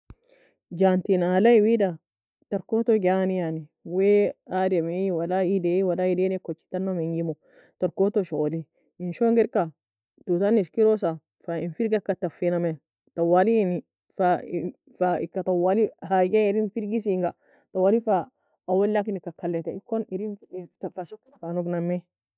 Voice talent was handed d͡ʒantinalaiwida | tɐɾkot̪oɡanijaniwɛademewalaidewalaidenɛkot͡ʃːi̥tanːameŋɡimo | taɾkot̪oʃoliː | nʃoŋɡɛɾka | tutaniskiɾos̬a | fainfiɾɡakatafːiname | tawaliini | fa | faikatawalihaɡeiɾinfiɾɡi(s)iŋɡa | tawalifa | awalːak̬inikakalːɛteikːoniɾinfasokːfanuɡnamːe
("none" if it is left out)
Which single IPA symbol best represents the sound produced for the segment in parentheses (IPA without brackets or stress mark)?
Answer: s